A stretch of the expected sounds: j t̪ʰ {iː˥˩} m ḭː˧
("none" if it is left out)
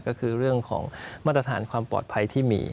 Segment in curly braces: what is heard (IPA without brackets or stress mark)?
iː˥˩